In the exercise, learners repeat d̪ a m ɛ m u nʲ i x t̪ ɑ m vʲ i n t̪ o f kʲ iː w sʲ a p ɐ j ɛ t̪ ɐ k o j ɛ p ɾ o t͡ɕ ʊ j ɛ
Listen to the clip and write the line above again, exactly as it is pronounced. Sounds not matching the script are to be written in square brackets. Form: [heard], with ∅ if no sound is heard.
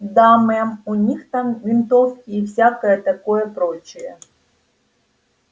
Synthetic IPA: d̪ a m ɛ m u nʲ i x t̪ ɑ m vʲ i n t̪ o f kʲ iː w sʲ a [k] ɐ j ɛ t̪ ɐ k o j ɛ p ɾ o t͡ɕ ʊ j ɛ